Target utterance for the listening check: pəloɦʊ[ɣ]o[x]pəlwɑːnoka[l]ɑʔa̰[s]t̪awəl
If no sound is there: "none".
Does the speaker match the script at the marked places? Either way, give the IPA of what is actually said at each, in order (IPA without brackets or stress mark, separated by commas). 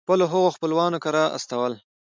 ɣ, x, ɾ, s